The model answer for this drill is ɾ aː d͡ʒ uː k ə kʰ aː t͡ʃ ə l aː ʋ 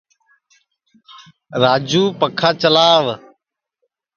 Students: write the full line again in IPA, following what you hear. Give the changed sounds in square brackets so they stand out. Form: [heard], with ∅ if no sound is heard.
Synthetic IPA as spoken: ɾ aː d͡ʒ uː [p] ə kʰ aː t͡ʃ ə l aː ʋ